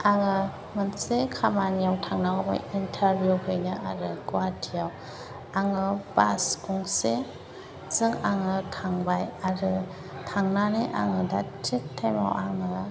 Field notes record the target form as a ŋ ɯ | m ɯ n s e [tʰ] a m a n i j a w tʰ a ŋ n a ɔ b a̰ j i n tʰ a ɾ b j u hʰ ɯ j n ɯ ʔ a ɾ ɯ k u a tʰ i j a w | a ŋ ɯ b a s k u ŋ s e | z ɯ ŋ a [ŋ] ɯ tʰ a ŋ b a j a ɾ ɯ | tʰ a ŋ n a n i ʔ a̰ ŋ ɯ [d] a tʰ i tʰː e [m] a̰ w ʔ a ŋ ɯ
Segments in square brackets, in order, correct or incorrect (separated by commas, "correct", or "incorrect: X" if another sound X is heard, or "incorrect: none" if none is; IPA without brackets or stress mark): incorrect: kʰ, correct, correct, correct